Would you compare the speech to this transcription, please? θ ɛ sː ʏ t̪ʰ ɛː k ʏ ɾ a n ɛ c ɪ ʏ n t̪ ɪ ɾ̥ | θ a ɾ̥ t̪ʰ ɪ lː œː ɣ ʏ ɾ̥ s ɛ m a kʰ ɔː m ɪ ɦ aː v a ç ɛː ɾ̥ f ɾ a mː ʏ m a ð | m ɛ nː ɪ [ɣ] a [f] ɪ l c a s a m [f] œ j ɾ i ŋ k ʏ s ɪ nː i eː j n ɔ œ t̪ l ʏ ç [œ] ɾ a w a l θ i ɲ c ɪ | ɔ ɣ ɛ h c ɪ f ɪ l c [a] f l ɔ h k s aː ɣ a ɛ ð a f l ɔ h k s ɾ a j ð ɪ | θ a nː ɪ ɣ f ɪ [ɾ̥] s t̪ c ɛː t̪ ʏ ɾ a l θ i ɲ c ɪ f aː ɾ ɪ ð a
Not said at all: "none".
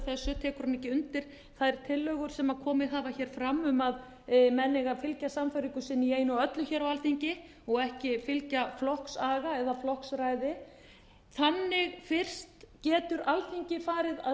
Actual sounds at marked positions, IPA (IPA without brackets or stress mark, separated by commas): ɣ, f, f, ɛ, a, r̥